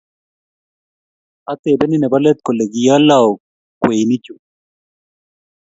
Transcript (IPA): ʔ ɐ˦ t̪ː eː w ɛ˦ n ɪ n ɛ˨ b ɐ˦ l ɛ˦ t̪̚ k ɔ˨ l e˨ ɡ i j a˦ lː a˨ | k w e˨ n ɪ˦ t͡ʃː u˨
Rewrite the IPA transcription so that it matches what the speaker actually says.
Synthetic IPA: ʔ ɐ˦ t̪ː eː b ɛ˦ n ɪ n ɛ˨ b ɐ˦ l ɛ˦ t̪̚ k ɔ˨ l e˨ ɡ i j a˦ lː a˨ | k w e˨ n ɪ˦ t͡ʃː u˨